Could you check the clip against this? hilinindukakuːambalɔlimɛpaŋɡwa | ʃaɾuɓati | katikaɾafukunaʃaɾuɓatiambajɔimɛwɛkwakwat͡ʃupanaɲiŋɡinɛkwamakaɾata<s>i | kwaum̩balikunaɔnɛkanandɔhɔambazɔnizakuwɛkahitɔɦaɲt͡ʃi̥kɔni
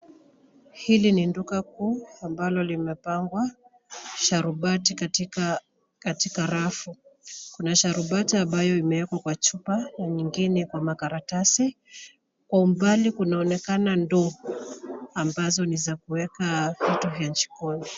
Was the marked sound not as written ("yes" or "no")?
no